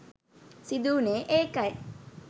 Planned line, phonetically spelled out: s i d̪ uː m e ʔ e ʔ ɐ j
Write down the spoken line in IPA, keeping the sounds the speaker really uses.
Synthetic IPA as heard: s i d̪ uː n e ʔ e k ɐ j